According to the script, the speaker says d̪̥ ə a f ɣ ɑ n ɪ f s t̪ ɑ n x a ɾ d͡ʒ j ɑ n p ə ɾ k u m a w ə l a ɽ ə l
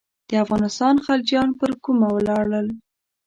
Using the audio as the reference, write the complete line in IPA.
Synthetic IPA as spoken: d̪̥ ə a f ɣ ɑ n ɪ s t̪ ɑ n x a l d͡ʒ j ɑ n p ə ɾ k u m a w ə l ɑ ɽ ə l